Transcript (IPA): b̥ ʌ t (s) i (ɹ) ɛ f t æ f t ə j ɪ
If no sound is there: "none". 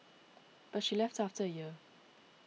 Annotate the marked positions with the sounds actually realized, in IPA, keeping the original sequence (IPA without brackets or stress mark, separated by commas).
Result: ʃ, l